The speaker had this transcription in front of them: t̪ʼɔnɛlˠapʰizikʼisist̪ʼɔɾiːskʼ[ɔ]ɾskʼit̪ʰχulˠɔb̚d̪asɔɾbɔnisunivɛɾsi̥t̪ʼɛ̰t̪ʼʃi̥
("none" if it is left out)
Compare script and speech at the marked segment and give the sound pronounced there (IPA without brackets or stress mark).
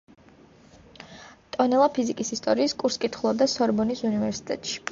u